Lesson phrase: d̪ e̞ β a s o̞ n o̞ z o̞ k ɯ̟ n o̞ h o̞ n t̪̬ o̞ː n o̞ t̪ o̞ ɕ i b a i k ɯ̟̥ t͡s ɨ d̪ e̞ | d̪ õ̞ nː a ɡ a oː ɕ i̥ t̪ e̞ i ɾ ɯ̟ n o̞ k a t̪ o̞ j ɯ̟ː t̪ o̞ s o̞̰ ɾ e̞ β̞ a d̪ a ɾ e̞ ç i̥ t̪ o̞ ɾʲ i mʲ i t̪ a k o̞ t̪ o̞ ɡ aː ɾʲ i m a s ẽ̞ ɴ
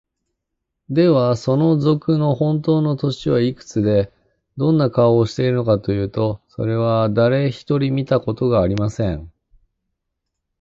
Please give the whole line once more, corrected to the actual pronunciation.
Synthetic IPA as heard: d̪ e̞ β a s o̞ n o̞ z o̞ k ɯ̟ n o̞ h õ̞ n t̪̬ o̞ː n o̞ t̪ o̞ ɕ i β a i k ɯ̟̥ t͡s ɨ d̪ e̞ | d̪ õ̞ nː a k a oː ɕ i̥ t̪ e̞ i ɾ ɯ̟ n o̞ k a t̪ o̞ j ɯ̟ː t̪ o̞ s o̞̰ ɾ e̞ β̞ a d̪ a ɾ e̞ ç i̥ t̪ o̞ ɾʲ i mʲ i t̪ a k o̞ t̪ o̞ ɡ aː ɾʲ i m a s ẽ̞ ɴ

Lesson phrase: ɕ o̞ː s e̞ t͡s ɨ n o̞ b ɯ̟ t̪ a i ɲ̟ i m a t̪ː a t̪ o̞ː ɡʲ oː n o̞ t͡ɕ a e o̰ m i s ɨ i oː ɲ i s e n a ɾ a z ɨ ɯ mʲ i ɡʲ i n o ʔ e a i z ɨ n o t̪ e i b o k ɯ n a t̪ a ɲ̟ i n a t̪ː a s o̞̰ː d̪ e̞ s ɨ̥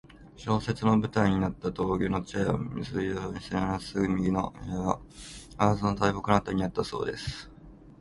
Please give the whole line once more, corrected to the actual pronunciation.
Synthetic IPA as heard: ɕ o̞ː s e̞ t͡s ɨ n o̞ b ɯ̟ t̪ a i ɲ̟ i n a t̪ː a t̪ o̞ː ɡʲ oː n o̞ t͡ɕ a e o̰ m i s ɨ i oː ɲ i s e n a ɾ a s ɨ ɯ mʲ i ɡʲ i n o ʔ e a a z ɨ n o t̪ a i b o k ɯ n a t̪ a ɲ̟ i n a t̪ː a s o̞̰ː d̪ e̞ s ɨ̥

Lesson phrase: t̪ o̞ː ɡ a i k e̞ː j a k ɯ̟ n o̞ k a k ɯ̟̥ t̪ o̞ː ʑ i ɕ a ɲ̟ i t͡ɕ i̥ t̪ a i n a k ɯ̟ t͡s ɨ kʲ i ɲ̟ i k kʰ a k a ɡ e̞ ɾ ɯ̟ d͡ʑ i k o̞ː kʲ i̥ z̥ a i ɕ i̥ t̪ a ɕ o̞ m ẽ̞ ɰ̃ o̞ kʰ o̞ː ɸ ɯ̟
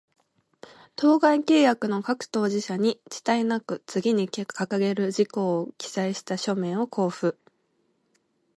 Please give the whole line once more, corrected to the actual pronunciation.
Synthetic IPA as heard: t̪ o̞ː ɡ a i k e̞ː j a k ɯ̟ n o̞ k a k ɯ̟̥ t̪ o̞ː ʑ i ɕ a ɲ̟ i t͡ɕ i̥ t̪ a i n a k ɯ̟ t͡s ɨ ɡʲ i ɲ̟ i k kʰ a k a ɡ e̞ ɾ ɯ̟ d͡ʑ i k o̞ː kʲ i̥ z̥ a i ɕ i̥ t̪ a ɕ o̞ m ẽ̞ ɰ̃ o̞ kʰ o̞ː ɸ ɯ̟

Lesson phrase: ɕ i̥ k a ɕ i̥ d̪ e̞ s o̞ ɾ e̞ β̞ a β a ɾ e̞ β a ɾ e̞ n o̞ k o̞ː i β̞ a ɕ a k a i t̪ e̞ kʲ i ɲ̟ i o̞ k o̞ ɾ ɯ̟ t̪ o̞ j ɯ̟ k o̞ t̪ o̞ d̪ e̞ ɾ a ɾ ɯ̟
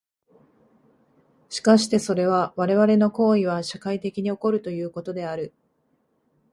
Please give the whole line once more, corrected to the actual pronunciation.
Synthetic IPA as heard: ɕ i̥ k a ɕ i̥ t̪ e̞ s o̞ ɾ e̞ β̞ a β a ɾ e̞ β a ɾ e̞ n o̞ k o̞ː i β̞ a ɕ a k a i t̪ e̞ kʲ i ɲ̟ i o̞ k o̞ ɾ ɯ̟ t̪ o̞ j ɯ̟ː k o̞ t̪ o̞ d̪ e̞ a ɾ ɯ̟

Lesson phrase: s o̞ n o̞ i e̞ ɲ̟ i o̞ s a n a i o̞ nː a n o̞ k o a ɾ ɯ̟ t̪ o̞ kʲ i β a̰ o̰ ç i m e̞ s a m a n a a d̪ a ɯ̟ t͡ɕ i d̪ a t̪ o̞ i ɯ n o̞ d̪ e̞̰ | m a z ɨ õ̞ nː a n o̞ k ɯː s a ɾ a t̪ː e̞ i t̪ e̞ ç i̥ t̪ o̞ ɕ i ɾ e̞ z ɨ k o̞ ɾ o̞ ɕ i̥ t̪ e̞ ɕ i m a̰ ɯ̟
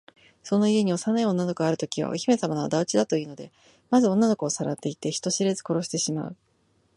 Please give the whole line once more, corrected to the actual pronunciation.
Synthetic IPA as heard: s o̞ n o̞ i e̞ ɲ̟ i o̞ s a n a i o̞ nː a n o̞ k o a ɾ ɯ̟ t̪ o̞ kʲ i β a̰ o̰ ç i m e̞ s a m a n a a d̪ a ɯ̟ t͡ɕ i d̪ a t̪ o̞ i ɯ n o̞ d̪ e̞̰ | m a z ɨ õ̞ nː a n o̞ k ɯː s a ɾ a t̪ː e̞ i t̪ e̞ ç i̥ t̪ o̞ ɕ i ɾ e̞ z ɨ k o̞ ɾ o̞ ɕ i̥ t̪ e̞ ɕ i m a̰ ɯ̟

